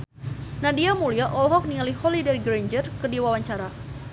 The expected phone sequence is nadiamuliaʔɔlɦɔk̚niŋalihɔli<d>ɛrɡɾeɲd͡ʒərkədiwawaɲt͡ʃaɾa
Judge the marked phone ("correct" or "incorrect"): correct